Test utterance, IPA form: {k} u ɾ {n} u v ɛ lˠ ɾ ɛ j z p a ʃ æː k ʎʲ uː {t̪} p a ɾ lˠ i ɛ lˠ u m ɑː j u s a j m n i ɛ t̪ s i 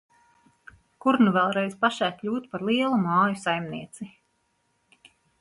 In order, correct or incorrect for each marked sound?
correct, correct, correct

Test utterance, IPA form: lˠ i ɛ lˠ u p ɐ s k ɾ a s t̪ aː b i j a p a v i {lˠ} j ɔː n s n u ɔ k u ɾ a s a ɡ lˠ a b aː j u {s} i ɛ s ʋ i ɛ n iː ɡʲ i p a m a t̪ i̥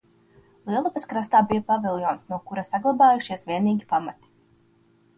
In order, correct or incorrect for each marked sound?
correct, incorrect

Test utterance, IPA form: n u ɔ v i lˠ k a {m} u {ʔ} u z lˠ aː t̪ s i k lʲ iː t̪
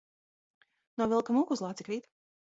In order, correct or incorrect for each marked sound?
correct, incorrect

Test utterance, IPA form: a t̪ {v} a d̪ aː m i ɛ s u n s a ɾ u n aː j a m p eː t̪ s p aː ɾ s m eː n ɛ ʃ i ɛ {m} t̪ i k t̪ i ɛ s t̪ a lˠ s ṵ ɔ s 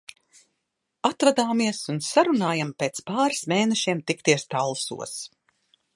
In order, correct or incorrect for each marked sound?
correct, correct

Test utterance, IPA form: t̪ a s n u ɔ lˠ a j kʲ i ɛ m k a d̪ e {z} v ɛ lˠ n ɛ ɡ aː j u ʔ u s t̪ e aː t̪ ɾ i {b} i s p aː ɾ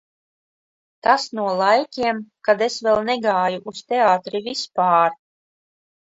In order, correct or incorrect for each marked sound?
incorrect, incorrect

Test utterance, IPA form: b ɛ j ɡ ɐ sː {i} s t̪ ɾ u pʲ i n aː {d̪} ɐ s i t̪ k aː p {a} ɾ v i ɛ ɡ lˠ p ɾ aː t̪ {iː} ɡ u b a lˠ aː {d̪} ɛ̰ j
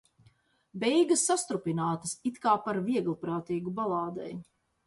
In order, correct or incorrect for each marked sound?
incorrect, incorrect, correct, correct, correct

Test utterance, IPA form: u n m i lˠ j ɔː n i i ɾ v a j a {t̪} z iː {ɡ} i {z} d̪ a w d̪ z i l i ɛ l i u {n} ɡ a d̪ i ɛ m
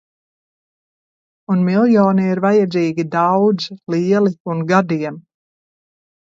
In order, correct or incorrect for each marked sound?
incorrect, correct, incorrect, correct

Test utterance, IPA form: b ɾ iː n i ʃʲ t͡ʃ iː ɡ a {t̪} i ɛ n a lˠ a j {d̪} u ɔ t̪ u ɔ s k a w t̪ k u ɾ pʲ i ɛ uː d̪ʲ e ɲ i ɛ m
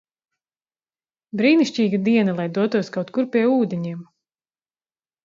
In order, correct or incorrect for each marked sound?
incorrect, correct

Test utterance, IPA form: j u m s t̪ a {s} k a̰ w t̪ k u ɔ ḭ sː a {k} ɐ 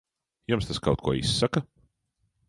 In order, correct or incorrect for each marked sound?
correct, correct

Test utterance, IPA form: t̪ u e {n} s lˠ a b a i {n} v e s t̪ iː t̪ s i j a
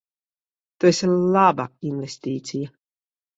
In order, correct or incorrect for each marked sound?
incorrect, correct

